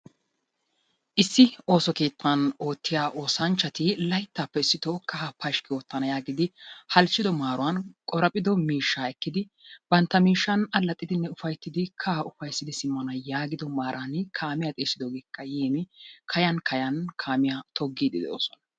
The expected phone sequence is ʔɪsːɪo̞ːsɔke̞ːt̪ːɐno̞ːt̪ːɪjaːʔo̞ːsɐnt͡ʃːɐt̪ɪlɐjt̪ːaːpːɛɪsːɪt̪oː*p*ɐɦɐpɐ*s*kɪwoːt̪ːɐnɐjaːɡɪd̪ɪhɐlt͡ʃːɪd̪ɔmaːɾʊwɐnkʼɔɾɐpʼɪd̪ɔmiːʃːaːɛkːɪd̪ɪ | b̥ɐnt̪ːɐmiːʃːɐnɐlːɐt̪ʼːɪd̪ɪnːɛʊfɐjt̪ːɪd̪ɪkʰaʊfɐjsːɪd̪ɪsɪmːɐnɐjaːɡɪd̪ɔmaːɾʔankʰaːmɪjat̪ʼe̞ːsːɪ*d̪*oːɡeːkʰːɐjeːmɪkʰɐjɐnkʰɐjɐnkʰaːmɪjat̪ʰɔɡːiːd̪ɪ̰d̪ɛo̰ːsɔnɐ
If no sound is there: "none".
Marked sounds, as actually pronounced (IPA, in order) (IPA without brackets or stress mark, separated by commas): k, ʃ, d̪